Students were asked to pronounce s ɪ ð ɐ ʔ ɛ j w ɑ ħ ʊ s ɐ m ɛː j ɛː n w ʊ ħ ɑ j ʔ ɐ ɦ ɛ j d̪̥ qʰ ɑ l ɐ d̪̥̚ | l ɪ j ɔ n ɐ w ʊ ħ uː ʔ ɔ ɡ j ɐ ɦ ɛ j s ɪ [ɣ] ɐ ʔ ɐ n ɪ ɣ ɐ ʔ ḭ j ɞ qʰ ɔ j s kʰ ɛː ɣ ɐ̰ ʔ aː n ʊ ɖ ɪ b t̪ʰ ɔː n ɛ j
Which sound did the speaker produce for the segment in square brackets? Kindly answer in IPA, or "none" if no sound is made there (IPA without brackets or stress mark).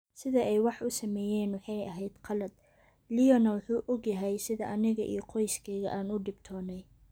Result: ð